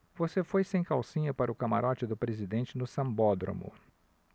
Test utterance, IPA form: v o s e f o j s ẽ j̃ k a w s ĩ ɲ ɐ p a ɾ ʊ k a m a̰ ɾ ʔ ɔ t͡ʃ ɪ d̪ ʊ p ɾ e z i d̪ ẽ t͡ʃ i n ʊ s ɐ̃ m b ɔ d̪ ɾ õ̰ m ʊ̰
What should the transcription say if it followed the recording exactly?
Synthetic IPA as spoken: v o s e f o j s ẽ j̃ k a w s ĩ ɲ ɐ p a ɾ ʊ k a m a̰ ɾ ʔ ɔ t͡ʃ ɪ d̪ ʊ p ɾ e z i d̪ ẽ t͡ʃ ɪ n ʊ s ɐ̃ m b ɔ d̪ ɾ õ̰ m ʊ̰